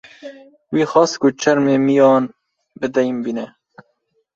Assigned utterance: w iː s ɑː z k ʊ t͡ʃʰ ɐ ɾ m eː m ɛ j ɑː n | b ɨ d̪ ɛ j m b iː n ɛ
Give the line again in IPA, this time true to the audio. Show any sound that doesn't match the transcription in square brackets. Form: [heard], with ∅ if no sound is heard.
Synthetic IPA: w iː [x] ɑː [s] k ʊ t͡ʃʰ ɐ ɾ m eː m [i] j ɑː n | b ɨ d̪ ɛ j m b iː n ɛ

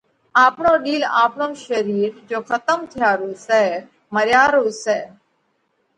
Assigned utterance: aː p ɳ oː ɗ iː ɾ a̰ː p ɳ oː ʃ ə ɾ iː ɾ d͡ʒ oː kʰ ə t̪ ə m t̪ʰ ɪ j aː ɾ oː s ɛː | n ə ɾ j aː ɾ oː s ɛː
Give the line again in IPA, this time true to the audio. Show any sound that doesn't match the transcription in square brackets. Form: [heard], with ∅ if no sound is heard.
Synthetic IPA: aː p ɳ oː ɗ iː [l] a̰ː p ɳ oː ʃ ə ɾ iː ɾ d͡ʒ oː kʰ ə t̪ ə m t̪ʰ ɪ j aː ɾ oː s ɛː | [m] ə ɾ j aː ɾ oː s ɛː

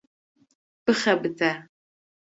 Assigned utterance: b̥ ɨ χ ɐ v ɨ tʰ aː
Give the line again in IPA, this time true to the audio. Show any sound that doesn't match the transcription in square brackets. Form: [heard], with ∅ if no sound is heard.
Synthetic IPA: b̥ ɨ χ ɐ [b] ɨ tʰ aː

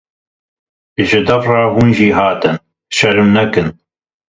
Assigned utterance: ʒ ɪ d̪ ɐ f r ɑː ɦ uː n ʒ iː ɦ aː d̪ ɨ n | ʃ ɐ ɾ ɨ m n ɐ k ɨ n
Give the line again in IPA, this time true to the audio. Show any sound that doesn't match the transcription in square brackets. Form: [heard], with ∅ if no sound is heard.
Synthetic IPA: ʒ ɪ d̪ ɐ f r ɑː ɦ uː n ʒ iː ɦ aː [t̪] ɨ n | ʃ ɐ ɾ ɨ m n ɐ k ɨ n

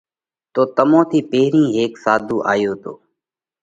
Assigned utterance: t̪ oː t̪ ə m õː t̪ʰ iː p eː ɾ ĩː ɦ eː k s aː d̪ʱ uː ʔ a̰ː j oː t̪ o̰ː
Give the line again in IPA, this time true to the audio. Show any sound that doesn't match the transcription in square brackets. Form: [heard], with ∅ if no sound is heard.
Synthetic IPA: t̪ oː t̪ ə m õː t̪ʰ iː p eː ɾ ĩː ɦ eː k s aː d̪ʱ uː ʔ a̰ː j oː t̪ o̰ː

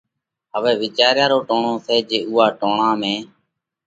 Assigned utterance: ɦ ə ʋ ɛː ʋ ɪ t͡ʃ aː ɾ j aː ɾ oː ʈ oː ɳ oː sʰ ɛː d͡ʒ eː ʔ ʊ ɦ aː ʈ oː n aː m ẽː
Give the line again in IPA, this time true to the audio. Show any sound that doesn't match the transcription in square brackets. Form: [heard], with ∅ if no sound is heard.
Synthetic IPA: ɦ ə ʋ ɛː ʋ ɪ t͡ʃ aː ɾ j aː ɾ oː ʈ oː ɳ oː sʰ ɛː d͡ʒ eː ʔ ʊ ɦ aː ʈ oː [ɳ] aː m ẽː

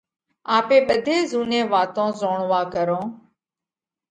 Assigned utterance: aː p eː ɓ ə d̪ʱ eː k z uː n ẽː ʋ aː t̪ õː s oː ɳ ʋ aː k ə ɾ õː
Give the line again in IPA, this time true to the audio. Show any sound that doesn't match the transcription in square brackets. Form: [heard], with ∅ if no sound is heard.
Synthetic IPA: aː p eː ɓ ə d̪ʱ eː [∅] z uː n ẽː ʋ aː t̪ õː [z] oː ɳ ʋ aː k ə ɾ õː

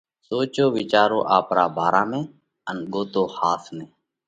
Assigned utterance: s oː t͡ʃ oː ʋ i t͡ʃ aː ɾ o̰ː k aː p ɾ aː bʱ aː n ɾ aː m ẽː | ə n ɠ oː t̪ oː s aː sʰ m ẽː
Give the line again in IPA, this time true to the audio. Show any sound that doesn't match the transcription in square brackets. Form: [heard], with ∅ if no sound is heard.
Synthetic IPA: s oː t͡ʃ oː ʋ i t͡ʃ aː ɾ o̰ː [ʔ] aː p ɾ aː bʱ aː [∅] ɾ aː m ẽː | ə n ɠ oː t̪ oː [h] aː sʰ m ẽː

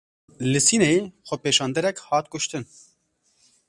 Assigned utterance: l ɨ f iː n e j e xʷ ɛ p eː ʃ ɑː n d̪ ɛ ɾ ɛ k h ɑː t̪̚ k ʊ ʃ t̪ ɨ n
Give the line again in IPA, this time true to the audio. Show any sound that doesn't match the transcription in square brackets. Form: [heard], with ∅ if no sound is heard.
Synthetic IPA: l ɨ [s] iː n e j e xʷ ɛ p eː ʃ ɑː n d̪ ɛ ɾ ɛ k h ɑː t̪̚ k ʊ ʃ t̪ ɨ n

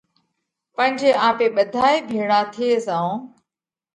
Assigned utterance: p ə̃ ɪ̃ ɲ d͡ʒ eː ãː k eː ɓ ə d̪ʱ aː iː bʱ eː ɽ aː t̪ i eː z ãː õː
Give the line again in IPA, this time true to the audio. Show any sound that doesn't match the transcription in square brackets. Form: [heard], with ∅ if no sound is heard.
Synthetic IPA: p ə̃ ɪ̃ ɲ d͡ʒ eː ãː [p] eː ɓ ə d̪ʱ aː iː bʱ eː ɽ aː [t̪ʰ] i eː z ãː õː

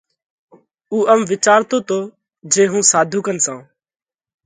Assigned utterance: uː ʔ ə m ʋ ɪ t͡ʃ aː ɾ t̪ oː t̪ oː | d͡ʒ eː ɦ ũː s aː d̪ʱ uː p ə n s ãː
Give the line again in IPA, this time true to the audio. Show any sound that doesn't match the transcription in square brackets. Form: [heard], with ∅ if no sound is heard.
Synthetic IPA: uː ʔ ə m ʋ ɪ t͡ʃ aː ɾ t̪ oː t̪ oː | d͡ʒ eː ɦ ũː s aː d̪ʱ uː [k] ə n s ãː

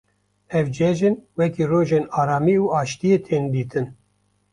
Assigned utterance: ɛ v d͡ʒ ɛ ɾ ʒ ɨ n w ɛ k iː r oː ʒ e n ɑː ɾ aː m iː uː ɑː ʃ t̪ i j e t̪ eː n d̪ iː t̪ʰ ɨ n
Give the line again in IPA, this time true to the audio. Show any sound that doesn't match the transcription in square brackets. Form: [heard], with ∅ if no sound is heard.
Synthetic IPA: ɛ v d͡ʒ ɛ [∅] ʒ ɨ n w ɛ k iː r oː ʒ e n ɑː ɾ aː m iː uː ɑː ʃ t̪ i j e [t̪ʰ] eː n d̪ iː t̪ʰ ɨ n

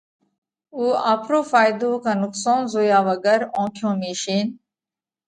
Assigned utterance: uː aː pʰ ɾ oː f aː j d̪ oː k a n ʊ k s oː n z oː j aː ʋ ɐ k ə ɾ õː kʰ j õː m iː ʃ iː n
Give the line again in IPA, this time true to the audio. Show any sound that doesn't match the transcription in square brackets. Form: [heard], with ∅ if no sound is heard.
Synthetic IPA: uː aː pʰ ɾ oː f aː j d̪ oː k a n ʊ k s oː n z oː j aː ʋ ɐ [ɡ] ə ɾ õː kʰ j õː m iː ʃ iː n

